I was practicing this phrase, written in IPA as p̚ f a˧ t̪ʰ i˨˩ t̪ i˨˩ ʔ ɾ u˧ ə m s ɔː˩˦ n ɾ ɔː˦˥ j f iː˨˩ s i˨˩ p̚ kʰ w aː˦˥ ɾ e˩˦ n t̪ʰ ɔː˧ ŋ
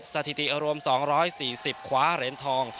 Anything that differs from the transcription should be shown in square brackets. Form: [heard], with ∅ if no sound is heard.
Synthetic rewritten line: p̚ [s] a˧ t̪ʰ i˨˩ t̪ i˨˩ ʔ ɾ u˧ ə m s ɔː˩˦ [ŋ] ɾ ɔː˦˥ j [s] iː˨˩ s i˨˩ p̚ kʰ w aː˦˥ ɾ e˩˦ n t̪ʰ ɔː˧ ŋ